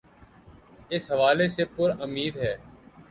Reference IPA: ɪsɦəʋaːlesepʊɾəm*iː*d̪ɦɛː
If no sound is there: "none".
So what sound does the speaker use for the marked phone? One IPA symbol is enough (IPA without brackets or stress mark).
iː